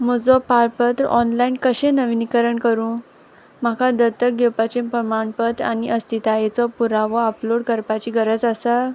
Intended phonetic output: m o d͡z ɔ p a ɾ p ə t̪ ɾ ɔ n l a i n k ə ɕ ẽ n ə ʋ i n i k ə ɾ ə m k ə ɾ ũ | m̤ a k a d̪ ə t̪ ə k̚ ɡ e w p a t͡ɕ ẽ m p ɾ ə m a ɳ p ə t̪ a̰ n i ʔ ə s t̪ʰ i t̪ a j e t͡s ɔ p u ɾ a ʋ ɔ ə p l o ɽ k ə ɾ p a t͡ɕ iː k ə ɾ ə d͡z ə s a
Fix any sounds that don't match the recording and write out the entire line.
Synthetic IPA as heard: m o d͡z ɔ p a ɾ p ə t̪ ɾ ɔ n l a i n k ə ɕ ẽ n ə ʋ i n i k ə ɾ ə ɳ k ə ɾ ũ | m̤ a k a d̪ ə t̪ ə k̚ ɡ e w p a t͡ɕ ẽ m p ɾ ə m a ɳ p ə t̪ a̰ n i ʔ ə s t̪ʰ i t̪ a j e t͡s ɔ p u ɾ a ʋ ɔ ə p l o ɽ k ə ɾ p a t͡ɕ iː ɡ ə ɾ ə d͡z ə s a